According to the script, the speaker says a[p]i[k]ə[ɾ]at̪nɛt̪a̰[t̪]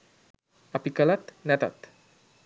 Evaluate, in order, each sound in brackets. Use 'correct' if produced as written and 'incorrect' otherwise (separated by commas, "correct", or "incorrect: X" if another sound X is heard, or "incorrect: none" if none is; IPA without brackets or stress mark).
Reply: correct, correct, incorrect: l, correct